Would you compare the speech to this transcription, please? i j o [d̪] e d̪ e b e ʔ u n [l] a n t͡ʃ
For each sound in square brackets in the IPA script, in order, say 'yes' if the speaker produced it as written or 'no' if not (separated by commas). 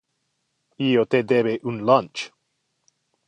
no, yes